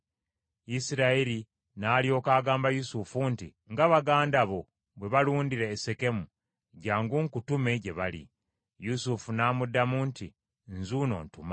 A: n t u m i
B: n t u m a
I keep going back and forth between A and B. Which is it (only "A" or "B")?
B